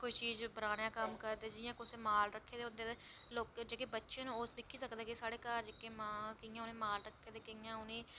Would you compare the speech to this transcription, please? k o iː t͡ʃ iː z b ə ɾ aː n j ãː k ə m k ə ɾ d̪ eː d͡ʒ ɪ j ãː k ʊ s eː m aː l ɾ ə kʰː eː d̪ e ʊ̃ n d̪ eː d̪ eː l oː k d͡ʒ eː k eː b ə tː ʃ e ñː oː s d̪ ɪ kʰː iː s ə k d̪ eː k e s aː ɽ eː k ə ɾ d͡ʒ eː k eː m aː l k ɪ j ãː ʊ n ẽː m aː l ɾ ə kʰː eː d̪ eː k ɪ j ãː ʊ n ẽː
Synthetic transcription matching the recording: k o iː t͡ʃ iː z b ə ɾ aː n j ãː k ə m k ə ɾ d̪ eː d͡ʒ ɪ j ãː k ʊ s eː m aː l ɾ ə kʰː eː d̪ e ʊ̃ n d̪ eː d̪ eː l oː k d͡ʒ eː k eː b ə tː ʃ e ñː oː s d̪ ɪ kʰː iː s ə k d̪ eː k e s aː ɽ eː k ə ɾ d͡ʒ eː k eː m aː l k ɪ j ãː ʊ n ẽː m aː l ɾ ə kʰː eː d̪ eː k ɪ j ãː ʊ n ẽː